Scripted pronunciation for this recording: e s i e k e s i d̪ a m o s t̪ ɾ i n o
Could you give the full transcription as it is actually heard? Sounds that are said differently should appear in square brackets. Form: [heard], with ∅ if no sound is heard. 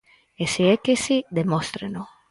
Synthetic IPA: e s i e k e s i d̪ [e] m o s t̪ ɾ [e] n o